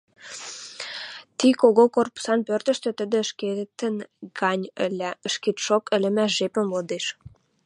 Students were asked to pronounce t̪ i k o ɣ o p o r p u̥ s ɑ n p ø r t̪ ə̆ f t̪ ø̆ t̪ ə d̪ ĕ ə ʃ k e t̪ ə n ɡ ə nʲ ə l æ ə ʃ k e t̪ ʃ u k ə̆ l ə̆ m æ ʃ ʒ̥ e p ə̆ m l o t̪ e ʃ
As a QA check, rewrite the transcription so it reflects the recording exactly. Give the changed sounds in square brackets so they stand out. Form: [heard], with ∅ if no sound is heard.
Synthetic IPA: t̪ i k o ɣ o [k] o r p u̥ s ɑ n p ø r t̪ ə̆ [ʃ] t̪ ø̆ t̪ ə d̪ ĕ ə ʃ k e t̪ ə n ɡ [ɑ] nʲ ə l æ ə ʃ k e t̪ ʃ [o] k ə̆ l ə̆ m æ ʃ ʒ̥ e p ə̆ m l o [d̪] e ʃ